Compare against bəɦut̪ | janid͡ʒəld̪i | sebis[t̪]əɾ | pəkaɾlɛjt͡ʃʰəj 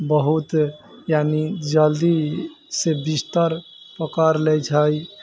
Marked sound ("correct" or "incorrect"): correct